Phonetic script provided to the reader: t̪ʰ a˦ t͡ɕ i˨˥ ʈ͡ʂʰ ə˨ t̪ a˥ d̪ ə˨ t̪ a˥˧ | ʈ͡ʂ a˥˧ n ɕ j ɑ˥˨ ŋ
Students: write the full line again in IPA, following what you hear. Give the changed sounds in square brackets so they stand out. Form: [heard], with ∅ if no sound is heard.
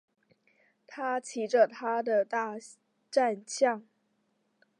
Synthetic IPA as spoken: t̪ʰ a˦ [t͡ɕʰ] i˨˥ [ʈ͡ʂ] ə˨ [t̪ʰ] a˥ d̪ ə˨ t̪ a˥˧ | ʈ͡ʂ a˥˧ n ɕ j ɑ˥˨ ŋ